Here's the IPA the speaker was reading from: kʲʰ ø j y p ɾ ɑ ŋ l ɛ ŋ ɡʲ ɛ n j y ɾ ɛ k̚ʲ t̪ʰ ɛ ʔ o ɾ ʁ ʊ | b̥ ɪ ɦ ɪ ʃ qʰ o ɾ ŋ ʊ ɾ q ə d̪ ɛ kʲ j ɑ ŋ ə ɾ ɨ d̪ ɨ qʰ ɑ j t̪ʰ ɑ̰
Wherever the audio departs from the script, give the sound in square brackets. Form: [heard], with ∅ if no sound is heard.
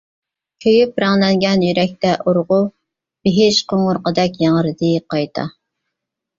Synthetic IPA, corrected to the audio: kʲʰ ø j y p ɾ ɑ ŋ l ɛ ŋ ɡʲ ɛ n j y ɾ ɛ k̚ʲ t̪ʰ ɛ ʔ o ɾ ʁ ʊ | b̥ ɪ ɦ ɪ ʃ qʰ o [∅] ŋ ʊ ɾ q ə d̪ ɛ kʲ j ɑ ŋ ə ɾ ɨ d̪ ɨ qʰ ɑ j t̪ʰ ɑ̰